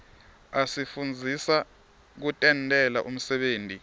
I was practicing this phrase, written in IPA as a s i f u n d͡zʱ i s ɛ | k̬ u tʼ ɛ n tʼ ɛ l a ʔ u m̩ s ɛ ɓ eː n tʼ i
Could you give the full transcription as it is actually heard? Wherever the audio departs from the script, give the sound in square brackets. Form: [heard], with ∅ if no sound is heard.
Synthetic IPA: a s i f u n d͡zʱ i s [a] | k̬ u tʼ ɛ n tʼ ɛ l a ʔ u m̩ s ɛ ɓ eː n tʼ i

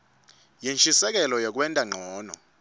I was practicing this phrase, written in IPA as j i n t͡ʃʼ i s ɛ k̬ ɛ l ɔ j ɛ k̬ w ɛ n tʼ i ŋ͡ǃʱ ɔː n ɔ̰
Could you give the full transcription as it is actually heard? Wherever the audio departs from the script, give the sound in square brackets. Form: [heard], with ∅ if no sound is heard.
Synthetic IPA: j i n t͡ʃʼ i s ɛ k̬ ɛ l ɔ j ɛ k̬ w ɛ n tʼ [a] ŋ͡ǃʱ ɔː n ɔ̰

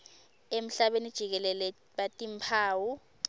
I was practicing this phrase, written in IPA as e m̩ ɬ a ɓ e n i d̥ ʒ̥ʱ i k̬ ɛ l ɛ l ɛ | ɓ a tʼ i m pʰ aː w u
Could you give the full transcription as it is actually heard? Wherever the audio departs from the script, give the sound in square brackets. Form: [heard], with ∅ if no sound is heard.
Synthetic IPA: e m̩ ɬ a ɓ e n i d̥ ʒ̥ʱ i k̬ ɛ l ɛ l ɛ | ɓ a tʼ i m pʰ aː w u

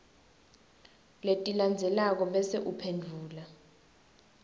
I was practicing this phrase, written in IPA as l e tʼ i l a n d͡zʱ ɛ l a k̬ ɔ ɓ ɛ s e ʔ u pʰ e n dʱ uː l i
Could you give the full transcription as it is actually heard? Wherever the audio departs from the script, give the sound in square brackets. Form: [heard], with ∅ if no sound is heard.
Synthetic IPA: l e tʼ i l a n d͡zʱ ɛ l a k̬ ɔ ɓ ɛ s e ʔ u pʰ e n dʱ uː l [a]

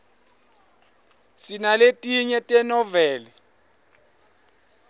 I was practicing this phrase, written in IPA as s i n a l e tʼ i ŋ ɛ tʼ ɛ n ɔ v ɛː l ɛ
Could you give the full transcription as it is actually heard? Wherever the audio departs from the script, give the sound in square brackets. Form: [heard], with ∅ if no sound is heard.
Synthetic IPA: s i n a l e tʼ i [ɲ] ɛ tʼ ɛ n ɔ v ɛː l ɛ

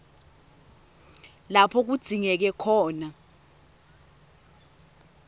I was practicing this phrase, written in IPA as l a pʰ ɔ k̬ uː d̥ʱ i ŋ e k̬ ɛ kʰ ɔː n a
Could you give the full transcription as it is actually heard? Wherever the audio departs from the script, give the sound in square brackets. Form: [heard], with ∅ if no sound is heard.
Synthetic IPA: l a pʰ ɔ k̬ [u] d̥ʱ i ŋ [ɛ] k̬ ɛ kʰ ɔː n a

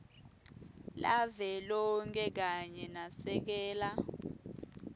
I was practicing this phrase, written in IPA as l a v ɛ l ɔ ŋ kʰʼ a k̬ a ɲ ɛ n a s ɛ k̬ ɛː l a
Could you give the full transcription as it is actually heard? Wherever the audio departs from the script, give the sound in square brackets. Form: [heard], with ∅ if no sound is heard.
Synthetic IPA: l a v ɛ l ɔ ŋ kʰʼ [ɛ] k̬ a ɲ ɛ n a s ɛ k̬ ɛː l a

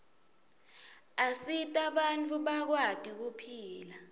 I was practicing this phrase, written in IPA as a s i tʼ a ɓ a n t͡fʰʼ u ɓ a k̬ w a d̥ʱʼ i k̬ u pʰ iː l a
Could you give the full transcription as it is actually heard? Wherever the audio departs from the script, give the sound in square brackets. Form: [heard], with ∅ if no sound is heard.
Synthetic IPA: a s i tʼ a ɓ a n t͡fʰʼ u ɓ a k̬ w a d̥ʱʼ i k̬ u pʰ iː l a

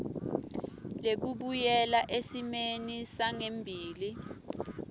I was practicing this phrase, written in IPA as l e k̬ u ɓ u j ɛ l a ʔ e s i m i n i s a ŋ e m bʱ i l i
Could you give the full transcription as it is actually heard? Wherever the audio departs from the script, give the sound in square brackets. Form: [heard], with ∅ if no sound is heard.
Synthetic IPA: l e k̬ u ɓ u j ɛ l a ʔ e s i m [e] n i s a ŋ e m bʱ [iː] l i

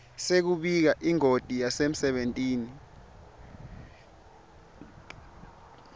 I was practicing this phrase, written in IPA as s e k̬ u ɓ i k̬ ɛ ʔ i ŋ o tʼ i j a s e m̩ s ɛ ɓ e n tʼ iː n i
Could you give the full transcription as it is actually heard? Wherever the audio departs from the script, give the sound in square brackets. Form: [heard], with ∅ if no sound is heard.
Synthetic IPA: s e k̬ u ɓ i k̬ [a] ʔ i ŋ o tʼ i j a s e m̩ s ɛ ɓ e n tʼ iː n i

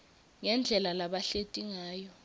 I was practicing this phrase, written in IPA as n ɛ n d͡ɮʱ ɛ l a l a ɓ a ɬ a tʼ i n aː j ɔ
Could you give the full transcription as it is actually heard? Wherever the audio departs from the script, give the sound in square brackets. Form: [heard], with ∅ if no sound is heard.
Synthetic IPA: [ŋ] ɛ n d͡ɮʱ ɛ l a l a ɓ a ɬ [e] tʼ i [ŋ] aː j ɔ

